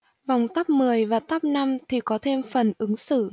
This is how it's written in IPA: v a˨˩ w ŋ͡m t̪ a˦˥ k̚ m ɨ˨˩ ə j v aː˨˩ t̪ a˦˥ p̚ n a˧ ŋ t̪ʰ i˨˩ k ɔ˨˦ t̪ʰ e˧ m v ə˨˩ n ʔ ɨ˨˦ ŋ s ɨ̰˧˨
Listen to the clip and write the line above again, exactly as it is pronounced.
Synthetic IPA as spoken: v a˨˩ w ŋ͡m t̪ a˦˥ p̚ m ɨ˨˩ ə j v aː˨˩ t̪ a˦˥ p̚ n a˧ m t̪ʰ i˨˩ k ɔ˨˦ t̪ʰ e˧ m f ə˨˩ n ʔ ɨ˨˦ ŋ s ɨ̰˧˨